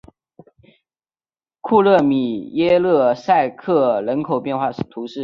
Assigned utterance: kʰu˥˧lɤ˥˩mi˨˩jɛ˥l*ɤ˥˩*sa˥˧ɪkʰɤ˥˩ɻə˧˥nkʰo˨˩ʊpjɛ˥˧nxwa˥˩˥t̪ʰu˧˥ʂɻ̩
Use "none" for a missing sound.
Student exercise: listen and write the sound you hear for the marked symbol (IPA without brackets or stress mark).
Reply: ɤ˥˩